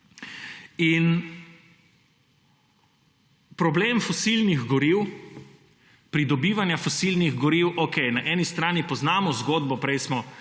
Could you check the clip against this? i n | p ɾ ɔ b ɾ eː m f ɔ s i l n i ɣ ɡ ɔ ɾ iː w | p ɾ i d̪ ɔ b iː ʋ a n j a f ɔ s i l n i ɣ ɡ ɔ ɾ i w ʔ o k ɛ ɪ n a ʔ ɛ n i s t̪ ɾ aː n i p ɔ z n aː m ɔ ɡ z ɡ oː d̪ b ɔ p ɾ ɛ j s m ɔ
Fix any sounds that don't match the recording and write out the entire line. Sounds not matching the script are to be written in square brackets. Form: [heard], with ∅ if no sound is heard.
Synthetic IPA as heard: i n | p ɾ ɔ b [l] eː m f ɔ s i l n i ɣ ɡ ɔ ɾ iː w | p ɾ i d̪ ɔ b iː ʋ a n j a f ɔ s i l n i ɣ ɡ ɔ ɾ i w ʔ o k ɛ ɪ n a ʔ ɛ n i s t̪ ɾ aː n i p ɔ z n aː m ɔ [∅] z ɡ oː d̪ b ɔ p ɾ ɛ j s m ɔ